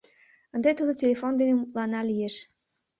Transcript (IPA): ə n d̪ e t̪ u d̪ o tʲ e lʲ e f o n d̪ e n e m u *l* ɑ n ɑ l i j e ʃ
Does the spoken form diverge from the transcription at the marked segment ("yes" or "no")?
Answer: no